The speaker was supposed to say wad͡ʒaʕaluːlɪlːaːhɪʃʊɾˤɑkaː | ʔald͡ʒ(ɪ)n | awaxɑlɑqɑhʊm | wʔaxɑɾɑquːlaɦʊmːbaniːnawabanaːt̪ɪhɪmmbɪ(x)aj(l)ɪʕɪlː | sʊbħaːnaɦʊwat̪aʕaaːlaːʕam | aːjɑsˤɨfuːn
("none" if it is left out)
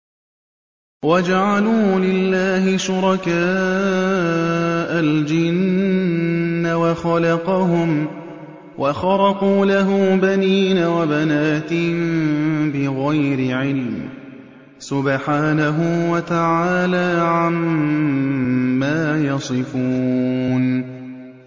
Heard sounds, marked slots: ɪ, ɣ, ɾ

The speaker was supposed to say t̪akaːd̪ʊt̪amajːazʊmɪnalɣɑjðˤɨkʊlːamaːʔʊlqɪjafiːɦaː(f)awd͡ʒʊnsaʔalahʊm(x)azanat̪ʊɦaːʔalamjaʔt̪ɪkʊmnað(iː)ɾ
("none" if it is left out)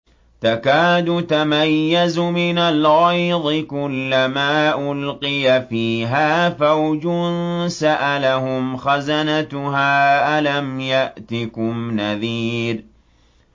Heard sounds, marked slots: f, x, iː

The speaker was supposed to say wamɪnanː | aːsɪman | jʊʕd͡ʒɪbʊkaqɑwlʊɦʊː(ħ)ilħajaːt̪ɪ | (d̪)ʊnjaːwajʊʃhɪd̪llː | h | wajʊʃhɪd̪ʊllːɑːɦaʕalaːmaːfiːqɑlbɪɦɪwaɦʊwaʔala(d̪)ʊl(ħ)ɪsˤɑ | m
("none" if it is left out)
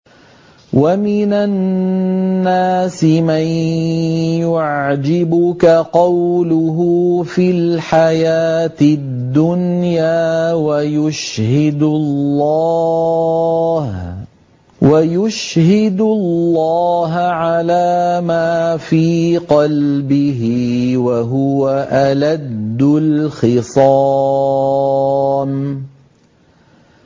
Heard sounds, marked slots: f, d̪ː, d̪ː, x

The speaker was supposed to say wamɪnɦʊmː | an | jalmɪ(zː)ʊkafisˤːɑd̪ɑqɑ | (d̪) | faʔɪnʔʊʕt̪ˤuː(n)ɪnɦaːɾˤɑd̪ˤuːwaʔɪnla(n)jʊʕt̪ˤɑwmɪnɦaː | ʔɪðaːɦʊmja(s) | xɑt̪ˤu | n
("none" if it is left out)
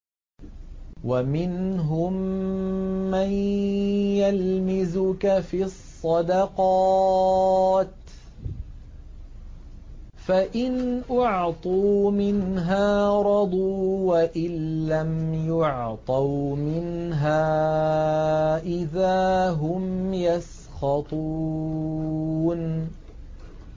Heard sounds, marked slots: z, t̪, m, m, s

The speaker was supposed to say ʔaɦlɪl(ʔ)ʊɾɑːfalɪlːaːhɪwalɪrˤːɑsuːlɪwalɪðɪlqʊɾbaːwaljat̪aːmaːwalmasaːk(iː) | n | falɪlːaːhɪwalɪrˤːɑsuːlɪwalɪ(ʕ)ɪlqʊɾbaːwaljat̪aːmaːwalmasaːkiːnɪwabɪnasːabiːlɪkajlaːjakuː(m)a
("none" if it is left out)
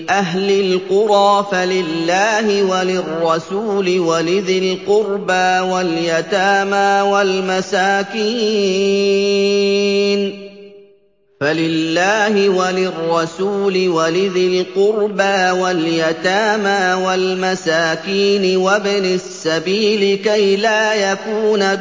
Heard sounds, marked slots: q, iː, ð, n

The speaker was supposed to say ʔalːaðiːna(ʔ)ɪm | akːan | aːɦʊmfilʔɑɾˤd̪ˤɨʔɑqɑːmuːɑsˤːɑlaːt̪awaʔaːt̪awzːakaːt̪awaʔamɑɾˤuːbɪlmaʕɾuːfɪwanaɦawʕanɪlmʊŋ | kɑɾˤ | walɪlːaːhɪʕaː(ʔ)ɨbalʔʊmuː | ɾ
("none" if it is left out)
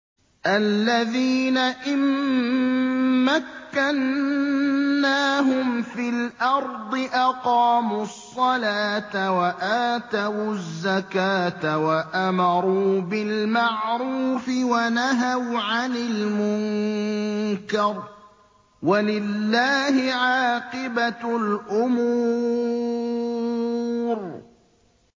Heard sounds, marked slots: ʔ, q

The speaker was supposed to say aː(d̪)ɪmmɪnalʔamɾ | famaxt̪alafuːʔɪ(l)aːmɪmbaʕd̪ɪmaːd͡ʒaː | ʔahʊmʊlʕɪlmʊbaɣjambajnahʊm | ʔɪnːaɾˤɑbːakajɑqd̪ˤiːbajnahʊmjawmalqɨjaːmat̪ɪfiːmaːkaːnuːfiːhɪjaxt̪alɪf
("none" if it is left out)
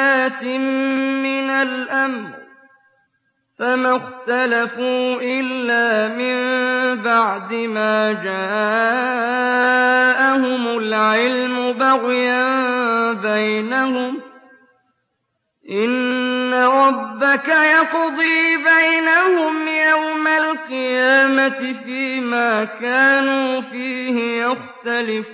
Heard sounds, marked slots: t̪, lː

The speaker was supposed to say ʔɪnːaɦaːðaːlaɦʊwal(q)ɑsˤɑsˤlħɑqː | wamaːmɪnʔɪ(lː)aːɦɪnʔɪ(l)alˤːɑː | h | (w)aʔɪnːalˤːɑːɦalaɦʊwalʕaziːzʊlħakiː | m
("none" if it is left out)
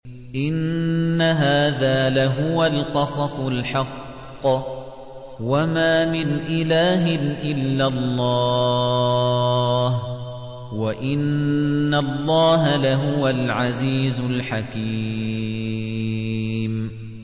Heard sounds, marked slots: q, l, lː, w

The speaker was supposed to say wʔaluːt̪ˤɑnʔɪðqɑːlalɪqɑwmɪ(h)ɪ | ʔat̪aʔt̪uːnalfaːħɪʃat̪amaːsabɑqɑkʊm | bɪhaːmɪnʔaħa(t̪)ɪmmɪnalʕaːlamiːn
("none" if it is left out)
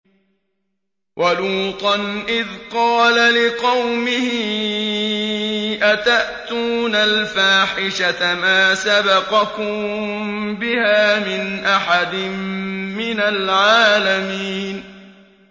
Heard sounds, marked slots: h, d̪

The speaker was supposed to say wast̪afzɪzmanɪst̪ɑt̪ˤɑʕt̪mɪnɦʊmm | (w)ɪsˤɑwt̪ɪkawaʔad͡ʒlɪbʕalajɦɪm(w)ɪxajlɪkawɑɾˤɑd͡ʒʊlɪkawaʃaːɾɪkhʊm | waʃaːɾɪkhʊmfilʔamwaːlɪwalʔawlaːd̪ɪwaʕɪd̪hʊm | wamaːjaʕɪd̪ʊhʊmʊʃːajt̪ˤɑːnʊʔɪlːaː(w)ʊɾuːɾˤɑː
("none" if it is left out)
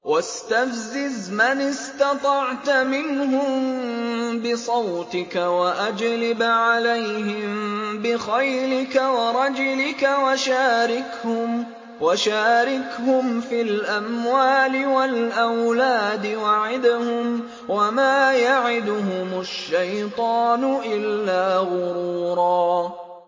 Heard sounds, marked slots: b, b, ɣ

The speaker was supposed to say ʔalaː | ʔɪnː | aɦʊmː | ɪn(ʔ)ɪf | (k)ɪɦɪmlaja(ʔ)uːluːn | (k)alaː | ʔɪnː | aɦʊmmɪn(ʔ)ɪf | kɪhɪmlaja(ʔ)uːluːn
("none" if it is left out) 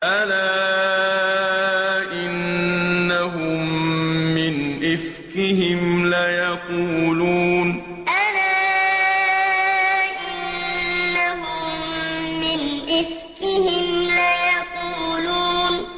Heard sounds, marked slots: ʔ, k, q, ʔ, ʔ, q

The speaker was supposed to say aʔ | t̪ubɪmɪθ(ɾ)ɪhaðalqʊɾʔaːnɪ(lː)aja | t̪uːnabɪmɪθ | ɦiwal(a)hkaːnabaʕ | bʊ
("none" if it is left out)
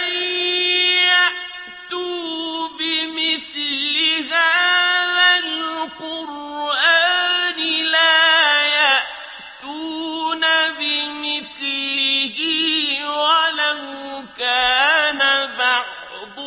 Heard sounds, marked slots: l, l, a

